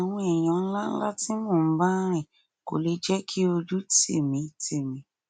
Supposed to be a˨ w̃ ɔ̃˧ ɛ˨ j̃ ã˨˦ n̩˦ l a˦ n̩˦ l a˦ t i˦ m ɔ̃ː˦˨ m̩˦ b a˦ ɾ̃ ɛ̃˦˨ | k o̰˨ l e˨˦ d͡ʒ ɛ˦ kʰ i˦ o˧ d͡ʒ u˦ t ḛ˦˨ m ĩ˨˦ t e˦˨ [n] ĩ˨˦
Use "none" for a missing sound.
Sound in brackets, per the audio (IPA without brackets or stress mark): m